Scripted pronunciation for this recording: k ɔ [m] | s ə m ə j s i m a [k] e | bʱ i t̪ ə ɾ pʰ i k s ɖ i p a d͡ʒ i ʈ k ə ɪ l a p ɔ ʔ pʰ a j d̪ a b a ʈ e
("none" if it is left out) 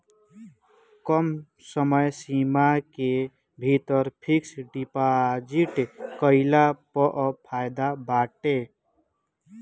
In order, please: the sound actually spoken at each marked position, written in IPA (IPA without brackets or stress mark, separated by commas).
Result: m, k